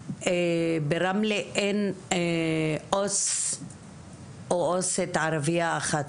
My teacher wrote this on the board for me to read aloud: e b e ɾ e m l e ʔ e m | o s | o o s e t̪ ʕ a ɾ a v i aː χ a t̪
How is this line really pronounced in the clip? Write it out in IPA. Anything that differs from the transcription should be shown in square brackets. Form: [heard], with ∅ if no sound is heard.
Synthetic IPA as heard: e b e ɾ [a] m l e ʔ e [n] | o s | o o s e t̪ ʕ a ɾ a v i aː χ a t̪